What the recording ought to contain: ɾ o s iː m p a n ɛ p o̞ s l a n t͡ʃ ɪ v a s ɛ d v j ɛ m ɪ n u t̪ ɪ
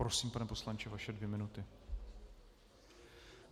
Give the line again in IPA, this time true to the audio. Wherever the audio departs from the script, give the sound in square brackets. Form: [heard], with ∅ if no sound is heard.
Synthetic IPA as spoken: ɾ o s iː m p a n ɛ p o̞ s l a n t͡ʃ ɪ v a [ʃ] ɛ d v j ɛ m ɪ n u t̪ ɪ